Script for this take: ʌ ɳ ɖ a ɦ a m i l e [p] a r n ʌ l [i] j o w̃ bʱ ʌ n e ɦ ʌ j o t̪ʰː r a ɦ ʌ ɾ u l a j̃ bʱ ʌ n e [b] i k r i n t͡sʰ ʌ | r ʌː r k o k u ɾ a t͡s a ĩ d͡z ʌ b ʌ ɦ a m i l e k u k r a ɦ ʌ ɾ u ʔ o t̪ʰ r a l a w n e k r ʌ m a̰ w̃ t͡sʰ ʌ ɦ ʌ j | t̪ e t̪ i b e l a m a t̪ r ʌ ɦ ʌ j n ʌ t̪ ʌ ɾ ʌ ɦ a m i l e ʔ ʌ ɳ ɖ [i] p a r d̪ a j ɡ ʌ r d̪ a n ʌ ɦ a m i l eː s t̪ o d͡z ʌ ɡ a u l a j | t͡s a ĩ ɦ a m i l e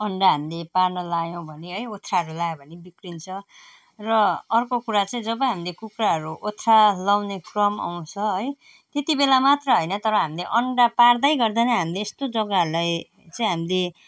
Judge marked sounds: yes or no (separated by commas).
yes, no, yes, no